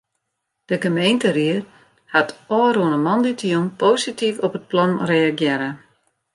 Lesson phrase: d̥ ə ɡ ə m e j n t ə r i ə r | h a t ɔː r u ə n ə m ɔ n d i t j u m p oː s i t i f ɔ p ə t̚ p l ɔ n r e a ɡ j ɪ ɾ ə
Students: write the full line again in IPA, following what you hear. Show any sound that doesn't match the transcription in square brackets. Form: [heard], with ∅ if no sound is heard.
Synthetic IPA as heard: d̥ ə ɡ ə m e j n t ə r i ə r | h a t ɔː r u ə n ə m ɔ n d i t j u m p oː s i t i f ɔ p ə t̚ p l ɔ n r e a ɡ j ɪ ɾ ə